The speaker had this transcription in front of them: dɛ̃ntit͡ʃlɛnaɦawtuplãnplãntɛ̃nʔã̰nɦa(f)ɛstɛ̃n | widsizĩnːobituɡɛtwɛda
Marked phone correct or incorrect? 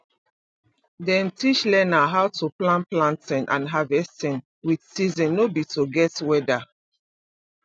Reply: incorrect